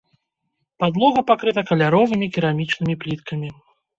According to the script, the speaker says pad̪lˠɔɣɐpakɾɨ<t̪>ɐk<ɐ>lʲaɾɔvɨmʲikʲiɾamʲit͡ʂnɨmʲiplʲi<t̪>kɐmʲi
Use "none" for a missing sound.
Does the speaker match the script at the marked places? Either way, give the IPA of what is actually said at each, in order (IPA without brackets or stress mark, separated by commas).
t̪, ɐ, t̪